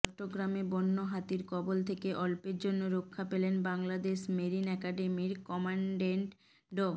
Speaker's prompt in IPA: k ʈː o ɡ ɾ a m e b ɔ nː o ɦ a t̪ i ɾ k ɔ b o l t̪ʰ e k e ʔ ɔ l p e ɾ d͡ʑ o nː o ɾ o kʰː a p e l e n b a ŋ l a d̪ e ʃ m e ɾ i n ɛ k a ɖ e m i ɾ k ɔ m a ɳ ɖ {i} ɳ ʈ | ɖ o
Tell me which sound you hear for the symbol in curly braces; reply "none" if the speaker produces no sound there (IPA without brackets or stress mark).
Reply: e